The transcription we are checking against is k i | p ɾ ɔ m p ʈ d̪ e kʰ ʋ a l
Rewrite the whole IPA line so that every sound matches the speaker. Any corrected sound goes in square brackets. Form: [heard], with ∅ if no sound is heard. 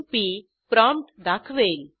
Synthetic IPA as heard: [p] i | p ɾ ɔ m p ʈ d̪ [a] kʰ ʋ [e] l